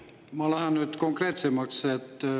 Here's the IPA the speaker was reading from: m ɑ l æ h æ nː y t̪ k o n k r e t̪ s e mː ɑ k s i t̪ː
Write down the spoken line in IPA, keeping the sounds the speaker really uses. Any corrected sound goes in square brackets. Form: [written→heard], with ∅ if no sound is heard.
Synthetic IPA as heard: m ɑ l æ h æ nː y t̪ k o [n→ŋ] k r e t̪ s e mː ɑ k s [i→e] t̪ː